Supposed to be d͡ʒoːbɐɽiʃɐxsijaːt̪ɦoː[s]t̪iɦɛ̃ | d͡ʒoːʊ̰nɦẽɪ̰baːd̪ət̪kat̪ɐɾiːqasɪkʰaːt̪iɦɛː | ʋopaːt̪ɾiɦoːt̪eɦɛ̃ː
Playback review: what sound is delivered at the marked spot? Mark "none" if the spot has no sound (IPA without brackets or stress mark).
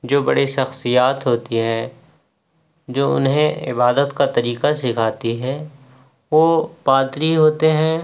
none